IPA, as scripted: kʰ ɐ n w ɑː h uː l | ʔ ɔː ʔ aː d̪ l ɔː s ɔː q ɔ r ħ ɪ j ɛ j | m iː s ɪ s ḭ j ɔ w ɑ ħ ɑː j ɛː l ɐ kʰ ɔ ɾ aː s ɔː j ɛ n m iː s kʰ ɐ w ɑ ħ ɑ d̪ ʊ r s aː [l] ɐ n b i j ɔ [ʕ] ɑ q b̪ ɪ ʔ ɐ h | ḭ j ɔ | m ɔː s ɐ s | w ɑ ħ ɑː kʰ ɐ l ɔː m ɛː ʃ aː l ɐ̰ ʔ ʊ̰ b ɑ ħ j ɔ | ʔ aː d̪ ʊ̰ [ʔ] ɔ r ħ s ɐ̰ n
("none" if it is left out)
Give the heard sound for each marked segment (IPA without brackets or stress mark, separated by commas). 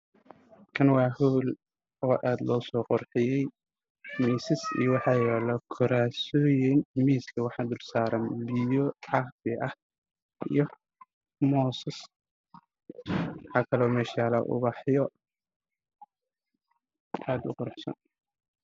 ɾ, ʕ, q